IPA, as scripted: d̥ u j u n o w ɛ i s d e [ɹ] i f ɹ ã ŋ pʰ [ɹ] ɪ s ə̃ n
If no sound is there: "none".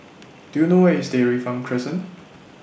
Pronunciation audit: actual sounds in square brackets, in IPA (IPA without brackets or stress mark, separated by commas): ɹ, ɹ